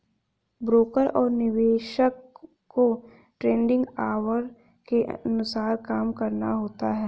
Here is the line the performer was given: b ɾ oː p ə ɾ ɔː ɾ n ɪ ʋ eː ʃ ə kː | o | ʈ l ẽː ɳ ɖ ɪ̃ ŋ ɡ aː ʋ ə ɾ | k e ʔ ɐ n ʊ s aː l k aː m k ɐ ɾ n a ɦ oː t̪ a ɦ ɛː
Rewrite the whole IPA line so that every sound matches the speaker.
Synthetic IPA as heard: b ɾ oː k ə ɾ ɔː ɾ n ɪ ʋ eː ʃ ə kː | o | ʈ ɾ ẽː ɳ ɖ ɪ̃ ŋ ɡ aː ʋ ə ɾ | k e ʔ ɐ n ʊ s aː ɾ k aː m k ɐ ɾ n a ɦ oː t̪ a ɦ ɛː